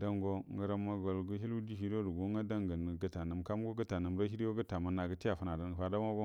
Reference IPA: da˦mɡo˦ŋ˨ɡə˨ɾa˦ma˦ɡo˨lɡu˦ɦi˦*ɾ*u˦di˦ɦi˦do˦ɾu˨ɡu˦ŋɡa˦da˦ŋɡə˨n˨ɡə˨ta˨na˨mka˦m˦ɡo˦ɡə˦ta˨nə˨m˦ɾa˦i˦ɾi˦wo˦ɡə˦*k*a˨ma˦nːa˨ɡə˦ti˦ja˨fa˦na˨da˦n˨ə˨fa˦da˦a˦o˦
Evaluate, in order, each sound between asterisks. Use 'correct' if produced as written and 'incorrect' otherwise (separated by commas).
incorrect, incorrect